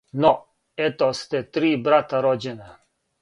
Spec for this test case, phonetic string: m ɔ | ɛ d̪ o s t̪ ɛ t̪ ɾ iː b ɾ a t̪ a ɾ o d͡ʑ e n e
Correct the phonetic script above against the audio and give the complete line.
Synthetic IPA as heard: n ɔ | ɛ t̪ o s t̪ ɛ t̪ ɾ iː b ɾ a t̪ a ɾ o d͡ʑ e n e